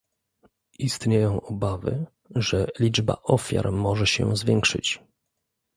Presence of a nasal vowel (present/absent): present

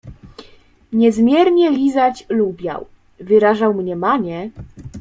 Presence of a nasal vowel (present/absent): absent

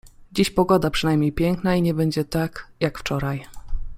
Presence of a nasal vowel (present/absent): absent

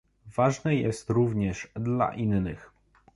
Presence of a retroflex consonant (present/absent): present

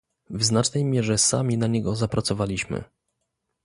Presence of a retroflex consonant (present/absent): present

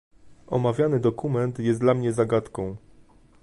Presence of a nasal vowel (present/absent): present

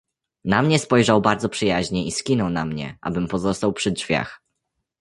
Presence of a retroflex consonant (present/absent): present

